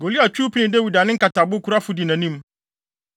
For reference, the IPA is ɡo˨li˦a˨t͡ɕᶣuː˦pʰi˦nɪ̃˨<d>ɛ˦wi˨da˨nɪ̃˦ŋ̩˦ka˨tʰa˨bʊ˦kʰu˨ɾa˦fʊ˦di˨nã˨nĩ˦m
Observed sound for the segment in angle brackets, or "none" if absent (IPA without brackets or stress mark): d